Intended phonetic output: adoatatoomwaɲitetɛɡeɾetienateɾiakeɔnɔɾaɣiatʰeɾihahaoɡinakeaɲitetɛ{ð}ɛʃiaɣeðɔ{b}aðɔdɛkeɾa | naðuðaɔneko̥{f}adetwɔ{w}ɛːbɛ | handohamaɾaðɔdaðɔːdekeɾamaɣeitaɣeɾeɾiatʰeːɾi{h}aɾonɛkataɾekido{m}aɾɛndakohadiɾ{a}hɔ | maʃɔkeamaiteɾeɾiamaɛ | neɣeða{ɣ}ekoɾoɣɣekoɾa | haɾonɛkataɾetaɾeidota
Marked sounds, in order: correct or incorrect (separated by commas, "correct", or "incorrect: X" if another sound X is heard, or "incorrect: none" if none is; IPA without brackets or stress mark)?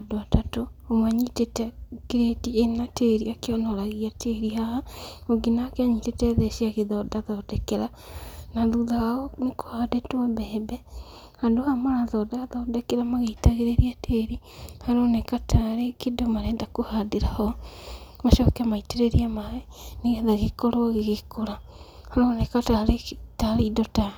correct, incorrect: d, incorrect: h, incorrect: b, correct, correct, correct, correct